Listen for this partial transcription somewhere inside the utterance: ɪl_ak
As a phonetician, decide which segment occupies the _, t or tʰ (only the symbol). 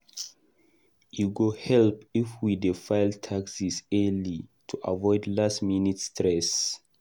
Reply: tʰ